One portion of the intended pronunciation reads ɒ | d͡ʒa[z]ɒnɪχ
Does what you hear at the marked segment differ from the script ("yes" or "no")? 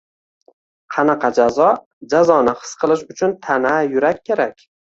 no